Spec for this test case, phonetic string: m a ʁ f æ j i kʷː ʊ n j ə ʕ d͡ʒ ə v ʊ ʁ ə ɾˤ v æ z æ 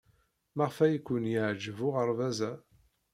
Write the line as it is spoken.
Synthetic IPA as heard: m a ʁ f æ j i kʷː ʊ n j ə ʕ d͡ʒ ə v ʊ ʁ ə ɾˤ v æ z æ